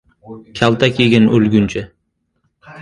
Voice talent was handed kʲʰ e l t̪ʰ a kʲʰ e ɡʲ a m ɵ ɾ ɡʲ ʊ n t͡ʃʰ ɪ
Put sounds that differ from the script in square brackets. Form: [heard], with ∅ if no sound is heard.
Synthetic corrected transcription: kʲʰ [a] l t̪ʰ a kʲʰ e ɡʲ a [n] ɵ [l] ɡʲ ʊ n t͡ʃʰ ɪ